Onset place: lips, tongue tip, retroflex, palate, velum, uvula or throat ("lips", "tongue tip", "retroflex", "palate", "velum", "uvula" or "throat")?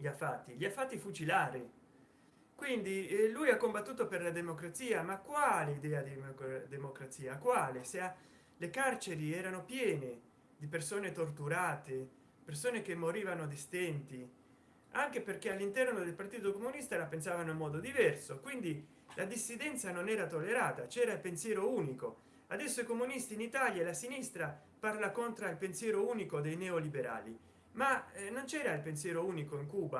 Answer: palate